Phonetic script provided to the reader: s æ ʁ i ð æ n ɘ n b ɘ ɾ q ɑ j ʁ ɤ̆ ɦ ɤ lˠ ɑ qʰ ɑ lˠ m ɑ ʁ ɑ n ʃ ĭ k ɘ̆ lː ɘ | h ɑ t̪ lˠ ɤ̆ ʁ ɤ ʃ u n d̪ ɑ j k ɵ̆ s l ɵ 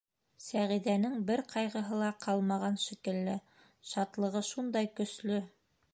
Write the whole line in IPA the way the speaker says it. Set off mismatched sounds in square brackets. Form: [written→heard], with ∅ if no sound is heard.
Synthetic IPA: s æ ʁ i ð æ n ɘ [n→ŋ] b ɘ ɾ q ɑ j ʁ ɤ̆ ɦ ɤ lˠ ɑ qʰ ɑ lˠ m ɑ ʁ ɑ n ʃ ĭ k ɘ̆ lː ɘ | [h→ʃ] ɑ t̪ lˠ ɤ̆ ʁ ɤ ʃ u n d̪ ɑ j k ɵ̆ s l ɵ